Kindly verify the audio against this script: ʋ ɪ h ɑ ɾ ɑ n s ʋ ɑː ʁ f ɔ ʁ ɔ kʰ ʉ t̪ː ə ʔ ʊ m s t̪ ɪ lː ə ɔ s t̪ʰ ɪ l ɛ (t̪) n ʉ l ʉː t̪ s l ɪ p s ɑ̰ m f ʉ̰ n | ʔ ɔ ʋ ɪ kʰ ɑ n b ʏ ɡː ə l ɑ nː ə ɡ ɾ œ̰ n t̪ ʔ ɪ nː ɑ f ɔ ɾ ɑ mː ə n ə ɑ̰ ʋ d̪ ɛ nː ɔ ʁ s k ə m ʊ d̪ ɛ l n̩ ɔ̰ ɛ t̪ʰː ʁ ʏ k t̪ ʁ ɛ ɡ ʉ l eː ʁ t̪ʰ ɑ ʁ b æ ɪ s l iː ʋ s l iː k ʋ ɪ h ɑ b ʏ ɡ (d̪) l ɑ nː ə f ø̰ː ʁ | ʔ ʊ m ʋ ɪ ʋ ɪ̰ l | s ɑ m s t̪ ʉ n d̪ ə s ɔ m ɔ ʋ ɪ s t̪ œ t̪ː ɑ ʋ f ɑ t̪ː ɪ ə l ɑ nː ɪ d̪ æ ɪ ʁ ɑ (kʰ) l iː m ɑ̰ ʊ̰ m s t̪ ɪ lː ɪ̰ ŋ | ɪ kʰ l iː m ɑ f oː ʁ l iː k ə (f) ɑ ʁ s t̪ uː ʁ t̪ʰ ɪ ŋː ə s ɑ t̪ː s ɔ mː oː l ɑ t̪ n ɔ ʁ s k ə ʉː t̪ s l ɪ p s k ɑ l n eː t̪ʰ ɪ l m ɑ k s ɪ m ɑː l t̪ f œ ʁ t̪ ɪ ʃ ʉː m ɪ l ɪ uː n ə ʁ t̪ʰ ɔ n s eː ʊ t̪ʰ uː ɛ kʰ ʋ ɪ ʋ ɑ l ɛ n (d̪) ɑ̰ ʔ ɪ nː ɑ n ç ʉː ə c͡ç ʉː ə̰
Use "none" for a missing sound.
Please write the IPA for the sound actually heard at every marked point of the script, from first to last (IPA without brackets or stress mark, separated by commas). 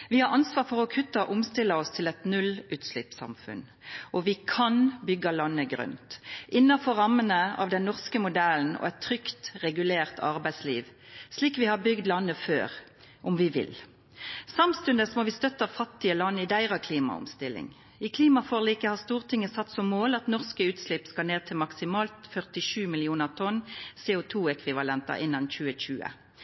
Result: t̪, d̪, kʰ, h, t̪